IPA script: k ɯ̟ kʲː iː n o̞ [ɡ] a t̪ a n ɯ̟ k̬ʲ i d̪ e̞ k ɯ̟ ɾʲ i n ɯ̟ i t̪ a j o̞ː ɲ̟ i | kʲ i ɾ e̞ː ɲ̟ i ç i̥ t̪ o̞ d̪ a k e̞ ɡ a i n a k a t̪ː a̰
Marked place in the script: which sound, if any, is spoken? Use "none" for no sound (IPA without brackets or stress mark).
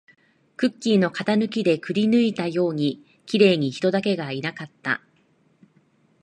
k